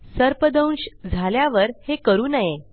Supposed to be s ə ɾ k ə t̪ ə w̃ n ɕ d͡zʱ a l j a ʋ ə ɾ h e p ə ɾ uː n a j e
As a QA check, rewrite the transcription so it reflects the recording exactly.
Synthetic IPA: s ə ɾ p ə d̪ ə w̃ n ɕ d͡zʱ a l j a ʋ ə ɾ h e k ə ɾ uː n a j e